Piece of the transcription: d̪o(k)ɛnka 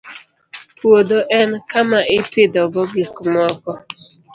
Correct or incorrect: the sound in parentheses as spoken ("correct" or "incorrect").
incorrect